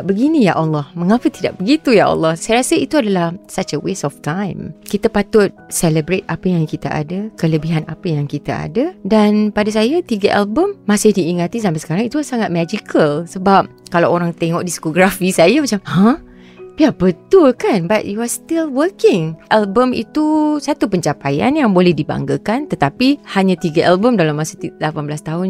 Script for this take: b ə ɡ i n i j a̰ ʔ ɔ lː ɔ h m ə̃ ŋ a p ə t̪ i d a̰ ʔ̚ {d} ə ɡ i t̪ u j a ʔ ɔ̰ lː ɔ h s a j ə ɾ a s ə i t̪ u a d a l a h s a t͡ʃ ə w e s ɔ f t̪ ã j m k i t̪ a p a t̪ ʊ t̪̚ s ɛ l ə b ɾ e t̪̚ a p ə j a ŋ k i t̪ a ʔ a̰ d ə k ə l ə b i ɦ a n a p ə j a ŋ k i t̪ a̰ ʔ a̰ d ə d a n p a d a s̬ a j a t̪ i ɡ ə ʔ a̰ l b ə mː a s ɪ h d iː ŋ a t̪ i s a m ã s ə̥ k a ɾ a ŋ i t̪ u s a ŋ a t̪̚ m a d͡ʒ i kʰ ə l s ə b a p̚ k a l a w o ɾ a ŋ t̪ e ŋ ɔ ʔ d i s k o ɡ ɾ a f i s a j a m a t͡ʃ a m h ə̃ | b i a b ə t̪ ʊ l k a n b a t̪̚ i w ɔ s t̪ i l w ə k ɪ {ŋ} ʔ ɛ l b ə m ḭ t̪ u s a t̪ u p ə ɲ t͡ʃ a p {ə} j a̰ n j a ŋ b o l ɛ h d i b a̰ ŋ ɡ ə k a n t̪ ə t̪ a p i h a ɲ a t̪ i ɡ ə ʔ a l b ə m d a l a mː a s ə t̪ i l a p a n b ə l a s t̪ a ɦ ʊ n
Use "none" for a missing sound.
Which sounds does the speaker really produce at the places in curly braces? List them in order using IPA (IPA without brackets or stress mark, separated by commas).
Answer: b, ŋ, a